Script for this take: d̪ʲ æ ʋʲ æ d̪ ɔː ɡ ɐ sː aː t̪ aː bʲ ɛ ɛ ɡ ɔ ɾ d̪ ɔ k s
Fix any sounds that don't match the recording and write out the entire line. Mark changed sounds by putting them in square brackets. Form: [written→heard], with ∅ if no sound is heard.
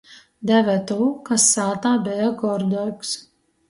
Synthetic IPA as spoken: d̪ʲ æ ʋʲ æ [d̪→t̪] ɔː [ɡ→k] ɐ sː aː t̪ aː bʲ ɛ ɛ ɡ ɔ ɾ d̪ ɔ k s